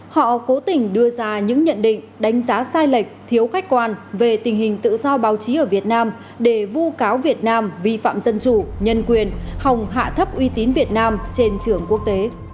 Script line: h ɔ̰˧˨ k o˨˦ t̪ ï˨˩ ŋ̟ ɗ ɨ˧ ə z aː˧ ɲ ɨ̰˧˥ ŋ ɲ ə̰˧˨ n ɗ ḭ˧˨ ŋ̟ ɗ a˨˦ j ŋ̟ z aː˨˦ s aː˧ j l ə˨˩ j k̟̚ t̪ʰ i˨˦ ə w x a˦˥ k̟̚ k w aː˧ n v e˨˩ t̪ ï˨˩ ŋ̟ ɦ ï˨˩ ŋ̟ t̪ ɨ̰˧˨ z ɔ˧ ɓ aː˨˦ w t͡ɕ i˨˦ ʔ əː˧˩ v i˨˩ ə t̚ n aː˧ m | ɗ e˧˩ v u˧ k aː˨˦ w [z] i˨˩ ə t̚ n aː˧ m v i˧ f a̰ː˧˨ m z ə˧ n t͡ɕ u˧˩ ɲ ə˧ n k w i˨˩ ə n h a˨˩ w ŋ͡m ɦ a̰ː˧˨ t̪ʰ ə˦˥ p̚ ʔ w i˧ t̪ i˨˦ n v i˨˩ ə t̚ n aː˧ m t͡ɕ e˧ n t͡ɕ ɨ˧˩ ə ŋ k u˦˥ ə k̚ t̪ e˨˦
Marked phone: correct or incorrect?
incorrect: v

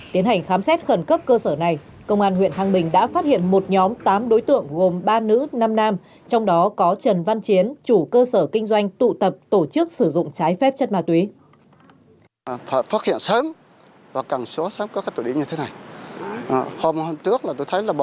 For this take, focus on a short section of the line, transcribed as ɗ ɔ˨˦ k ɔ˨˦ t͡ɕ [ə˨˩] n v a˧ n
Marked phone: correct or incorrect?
correct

